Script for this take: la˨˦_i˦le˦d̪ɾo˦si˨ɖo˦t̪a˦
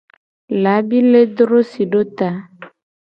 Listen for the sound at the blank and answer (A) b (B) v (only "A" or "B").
A